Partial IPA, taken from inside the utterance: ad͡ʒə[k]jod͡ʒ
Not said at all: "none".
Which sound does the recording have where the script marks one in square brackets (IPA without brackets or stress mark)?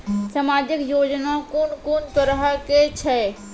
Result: k